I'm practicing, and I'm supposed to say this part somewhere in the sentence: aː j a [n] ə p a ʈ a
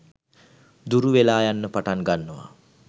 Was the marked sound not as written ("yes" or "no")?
yes